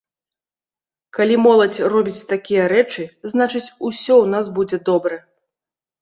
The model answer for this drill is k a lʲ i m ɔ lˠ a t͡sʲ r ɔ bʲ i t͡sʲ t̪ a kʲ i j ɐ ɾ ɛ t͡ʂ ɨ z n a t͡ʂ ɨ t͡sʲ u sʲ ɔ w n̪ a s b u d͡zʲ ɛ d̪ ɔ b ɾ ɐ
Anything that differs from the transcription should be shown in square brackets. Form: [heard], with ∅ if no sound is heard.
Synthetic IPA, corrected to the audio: k a lʲ i m ɔ lˠ [ɐ] t͡sʲ r ɔ bʲ i t͡sʲ t̪ a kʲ i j ɐ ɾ ɛ t͡ʂ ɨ z n a t͡ʂ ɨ t͡sʲ u sʲ ɔ w n̪ a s b u d͡zʲ ɛ d̪ ɔ b ɾ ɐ